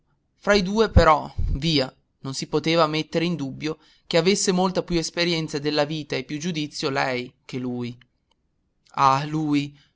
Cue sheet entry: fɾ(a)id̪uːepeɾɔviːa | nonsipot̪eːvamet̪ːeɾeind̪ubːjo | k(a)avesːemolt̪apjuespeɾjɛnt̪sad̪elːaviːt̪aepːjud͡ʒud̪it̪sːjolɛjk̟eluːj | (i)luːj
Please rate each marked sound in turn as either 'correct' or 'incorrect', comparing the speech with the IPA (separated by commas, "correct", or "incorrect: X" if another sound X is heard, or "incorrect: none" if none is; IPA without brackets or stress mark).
correct, incorrect: e, incorrect: a